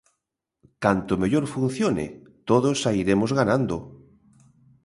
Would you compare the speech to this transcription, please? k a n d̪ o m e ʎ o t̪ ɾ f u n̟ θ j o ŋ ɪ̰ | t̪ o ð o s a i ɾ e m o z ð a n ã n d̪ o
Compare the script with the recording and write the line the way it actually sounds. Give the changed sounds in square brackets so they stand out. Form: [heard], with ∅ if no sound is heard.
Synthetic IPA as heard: k a n [t̪] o m e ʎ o [∅] ɾ f u n̟ θ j o [n] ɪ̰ | t̪ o ð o s a i ɾ e m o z [ɣ] a n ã n d̪ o